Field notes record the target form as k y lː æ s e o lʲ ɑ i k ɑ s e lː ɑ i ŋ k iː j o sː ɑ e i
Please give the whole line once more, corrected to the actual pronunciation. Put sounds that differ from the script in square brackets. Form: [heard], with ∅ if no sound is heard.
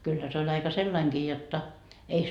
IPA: k y lː æ s e o lʲ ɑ i k ɑ s e lː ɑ i ŋ k iː j o [tː] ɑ e i